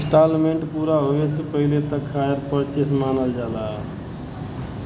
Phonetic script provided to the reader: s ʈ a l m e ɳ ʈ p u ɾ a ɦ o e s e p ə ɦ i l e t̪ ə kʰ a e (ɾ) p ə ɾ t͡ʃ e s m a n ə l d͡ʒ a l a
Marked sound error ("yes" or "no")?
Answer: no